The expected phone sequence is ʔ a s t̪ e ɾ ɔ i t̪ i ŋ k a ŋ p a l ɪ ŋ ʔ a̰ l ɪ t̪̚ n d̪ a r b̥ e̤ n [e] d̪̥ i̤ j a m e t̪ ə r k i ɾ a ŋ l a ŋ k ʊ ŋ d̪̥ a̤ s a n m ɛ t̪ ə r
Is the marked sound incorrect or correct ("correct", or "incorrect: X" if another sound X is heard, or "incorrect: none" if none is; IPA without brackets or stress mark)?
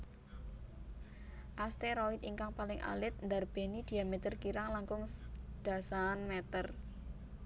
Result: incorrect: i